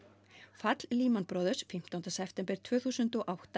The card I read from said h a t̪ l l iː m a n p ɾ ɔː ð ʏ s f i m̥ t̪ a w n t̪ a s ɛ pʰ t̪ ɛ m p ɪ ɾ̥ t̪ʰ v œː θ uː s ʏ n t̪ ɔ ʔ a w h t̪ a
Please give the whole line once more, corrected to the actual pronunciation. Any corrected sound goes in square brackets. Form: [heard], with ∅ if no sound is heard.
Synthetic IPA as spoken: [f] a t̪ l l iː m a n p ɾ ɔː ð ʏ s f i m̥ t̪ a w n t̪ a s ɛ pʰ t̪ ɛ m p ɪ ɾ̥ t̪ʰ v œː θ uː s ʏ n t̪ ɔ ʔ a w h t̪ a